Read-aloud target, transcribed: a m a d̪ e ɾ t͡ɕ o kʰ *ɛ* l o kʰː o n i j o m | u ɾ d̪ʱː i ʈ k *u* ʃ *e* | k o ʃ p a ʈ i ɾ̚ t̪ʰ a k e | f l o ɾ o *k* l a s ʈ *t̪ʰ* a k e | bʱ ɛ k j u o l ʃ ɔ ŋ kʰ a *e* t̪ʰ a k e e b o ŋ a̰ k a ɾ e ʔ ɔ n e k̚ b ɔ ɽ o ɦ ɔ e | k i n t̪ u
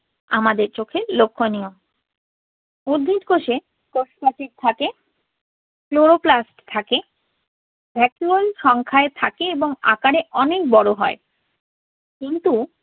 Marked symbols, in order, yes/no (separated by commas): no, no, yes, no, yes, yes